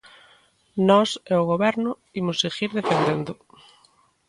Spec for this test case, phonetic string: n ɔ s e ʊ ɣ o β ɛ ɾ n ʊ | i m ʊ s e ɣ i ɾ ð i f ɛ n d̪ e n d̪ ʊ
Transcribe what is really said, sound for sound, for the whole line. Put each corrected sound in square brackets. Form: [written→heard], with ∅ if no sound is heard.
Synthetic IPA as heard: n ɔ s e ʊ ɣ o β ɛ ɾ n ʊ | i m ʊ s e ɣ i ɾ ð [i→e] f [ɛ→e] n d̪ e n d̪ ʊ